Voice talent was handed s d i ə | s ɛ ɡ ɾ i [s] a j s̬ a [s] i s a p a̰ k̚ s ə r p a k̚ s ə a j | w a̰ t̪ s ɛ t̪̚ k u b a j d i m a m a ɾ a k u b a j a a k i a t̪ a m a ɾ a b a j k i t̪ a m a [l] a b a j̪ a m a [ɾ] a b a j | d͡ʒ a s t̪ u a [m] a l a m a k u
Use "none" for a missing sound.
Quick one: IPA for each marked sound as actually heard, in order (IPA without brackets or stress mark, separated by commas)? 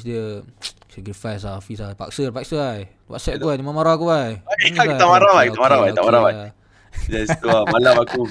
f, f, ɾ, ɾ, m